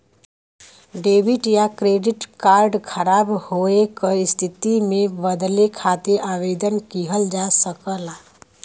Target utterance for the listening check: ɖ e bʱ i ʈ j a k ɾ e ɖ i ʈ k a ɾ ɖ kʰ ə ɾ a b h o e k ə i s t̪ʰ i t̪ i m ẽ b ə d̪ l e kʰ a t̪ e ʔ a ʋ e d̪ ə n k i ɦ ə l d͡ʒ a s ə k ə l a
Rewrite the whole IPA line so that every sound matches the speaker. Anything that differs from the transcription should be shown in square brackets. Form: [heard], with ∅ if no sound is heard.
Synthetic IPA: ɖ e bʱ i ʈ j a k ɾ e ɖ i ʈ k a ɾ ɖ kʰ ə ɾ a b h o e k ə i s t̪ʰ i t̪ i m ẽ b ə d̪ l e kʰ a t̪ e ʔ a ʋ e d̪ ə n k i ɦ ə l d͡ʒ a s ə k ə l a